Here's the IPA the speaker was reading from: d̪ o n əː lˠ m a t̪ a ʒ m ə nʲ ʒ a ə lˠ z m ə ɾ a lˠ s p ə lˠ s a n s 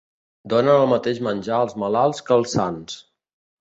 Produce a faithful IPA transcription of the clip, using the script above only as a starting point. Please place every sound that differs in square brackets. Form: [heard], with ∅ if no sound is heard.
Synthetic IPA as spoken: d̪ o n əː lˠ m [ə] t̪ [e] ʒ m ə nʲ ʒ a ə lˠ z m ə [l] a lˠ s [k] ə lˠ s a n s